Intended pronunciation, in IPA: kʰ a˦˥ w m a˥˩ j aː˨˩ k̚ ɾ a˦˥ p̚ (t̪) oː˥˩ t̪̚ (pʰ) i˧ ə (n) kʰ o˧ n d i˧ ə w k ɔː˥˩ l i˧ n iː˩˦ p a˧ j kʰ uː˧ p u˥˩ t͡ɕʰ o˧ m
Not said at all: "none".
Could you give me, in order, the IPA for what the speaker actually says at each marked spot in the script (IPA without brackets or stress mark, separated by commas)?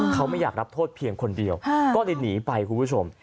t̪ʰ, pʰ, ŋ